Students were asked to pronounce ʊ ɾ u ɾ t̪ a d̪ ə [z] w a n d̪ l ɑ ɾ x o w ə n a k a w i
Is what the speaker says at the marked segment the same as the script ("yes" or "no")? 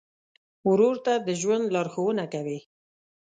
no